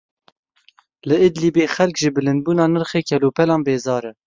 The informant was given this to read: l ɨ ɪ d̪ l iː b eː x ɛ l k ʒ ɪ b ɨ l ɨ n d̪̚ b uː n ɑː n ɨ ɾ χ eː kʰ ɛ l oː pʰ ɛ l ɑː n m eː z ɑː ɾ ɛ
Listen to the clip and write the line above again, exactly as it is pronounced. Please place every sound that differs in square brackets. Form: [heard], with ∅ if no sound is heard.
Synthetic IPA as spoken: l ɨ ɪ d̪ l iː b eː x ɛ l k ʒ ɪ b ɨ l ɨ n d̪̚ b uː n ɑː n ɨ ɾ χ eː kʰ ɛ l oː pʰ ɛ l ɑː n [b] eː z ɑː ɾ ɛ